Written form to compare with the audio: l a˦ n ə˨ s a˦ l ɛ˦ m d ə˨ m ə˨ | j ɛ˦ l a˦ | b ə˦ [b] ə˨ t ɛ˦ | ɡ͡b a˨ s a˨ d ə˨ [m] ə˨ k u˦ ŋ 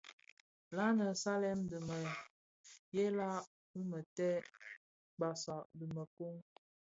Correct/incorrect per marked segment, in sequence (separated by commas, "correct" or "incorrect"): incorrect, correct